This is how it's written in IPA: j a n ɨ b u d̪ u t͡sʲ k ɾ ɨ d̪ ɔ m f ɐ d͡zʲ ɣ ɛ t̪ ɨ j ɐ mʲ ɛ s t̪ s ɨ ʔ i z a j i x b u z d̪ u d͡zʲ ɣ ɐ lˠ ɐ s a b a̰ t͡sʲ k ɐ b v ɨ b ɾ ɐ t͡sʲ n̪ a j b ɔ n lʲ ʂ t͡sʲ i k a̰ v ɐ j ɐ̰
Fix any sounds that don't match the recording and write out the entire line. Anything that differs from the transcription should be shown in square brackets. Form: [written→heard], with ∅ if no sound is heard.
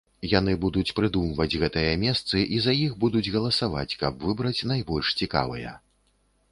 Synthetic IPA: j a n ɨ b u d̪ u t͡sʲ [k→p] ɾ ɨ d̪ [ɔ→u] m [f→v] ɐ d͡zʲ ɣ ɛ t̪ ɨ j ɐ mʲ ɛ s t̪ s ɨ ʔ i z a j i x b u [z→∅] d̪ u d͡zʲ ɣ ɐ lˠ ɐ s a [b→v] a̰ t͡sʲ k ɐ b v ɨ b ɾ ɐ t͡sʲ n̪ a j b ɔ [n→∅] lʲ ʂ t͡sʲ i k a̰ v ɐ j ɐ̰

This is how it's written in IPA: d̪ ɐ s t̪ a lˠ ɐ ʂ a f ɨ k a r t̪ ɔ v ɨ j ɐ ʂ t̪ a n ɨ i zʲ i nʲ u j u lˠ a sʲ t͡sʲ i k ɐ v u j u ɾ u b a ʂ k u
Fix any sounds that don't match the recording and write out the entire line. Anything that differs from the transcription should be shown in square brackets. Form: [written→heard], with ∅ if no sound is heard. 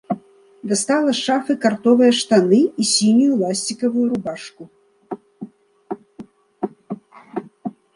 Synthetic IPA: d̪ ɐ s t̪ a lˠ ɐ ʂ a f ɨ k a r t̪ ɔ v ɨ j ɐ ʂ t̪ a n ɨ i [zʲ→sʲ] i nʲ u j u lˠ a sʲ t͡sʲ i k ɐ v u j u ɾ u b a ʂ k u

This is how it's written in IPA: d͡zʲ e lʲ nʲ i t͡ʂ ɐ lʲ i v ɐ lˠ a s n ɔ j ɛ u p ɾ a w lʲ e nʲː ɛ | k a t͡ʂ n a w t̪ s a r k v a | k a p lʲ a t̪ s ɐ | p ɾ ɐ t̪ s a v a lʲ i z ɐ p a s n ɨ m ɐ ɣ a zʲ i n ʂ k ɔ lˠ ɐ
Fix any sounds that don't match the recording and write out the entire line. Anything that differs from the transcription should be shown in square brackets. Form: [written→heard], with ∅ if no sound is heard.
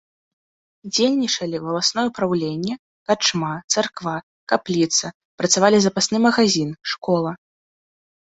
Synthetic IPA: d͡zʲ e lʲ nʲ i t͡ʂ ɐ lʲ i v ɐ lˠ a s n ɔ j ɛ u p ɾ a w lʲ e nʲː ɛ | k a t͡ʂ [n→m] a [w→∅] t̪ s a r k v a | k a p lʲ [a→i] t̪ s ɐ | p ɾ ɐ t̪ s a v a lʲ i z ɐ p a s n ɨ m ɐ ɣ a zʲ i n ʂ k ɔ lˠ ɐ

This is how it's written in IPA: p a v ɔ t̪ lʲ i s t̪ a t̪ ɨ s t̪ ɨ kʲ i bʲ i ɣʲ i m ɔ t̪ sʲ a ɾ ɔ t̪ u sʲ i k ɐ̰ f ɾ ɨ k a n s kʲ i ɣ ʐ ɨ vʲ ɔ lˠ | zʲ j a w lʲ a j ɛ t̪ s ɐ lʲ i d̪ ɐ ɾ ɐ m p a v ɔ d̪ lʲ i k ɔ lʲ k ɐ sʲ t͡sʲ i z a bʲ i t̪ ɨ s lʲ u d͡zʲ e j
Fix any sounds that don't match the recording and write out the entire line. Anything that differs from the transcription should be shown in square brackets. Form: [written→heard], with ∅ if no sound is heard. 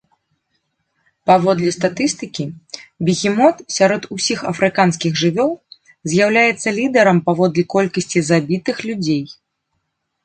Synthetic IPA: p a v ɔ [t̪→d̪] lʲ i s t̪ a t̪ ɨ s t̪ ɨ kʲ i bʲ i ɣʲ i m ɔ t̪ sʲ a ɾ ɔ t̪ u sʲ i [k→x] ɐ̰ f ɾ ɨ k a n s kʲ i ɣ ʐ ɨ vʲ ɔ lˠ | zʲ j a w lʲ a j ɛ t̪ [s→sː] ɐ lʲ i d̪ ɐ ɾ ɐ m p a v ɔ d̪ lʲ i k ɔ lʲ k ɐ sʲ t͡sʲ i z a bʲ i t̪ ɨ [s→x] lʲ u d͡zʲ e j

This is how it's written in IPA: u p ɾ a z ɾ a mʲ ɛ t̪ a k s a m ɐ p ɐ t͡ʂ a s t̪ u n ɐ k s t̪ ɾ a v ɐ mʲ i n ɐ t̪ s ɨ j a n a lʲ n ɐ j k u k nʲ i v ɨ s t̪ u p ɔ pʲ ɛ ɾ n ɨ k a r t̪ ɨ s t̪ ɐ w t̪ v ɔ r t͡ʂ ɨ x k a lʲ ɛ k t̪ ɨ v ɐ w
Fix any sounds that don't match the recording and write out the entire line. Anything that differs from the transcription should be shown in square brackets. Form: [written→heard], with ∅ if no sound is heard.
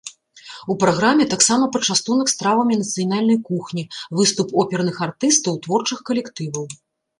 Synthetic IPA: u p ɾ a [z→ɣ] ɾ a mʲ ɛ t̪ a k s a m ɐ p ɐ t͡ʂ a s t̪ u n ɐ k s t̪ ɾ a v ɐ mʲ i n ɐ t̪ s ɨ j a n a lʲ n ɐ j k u [k→x] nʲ i v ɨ s t̪ u p ɔ pʲ ɛ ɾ n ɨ [k→x] a r t̪ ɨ s t̪ ɐ w t̪ v ɔ r t͡ʂ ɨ x k [a→ɐ] lʲ ɛ k t̪ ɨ v ɐ w

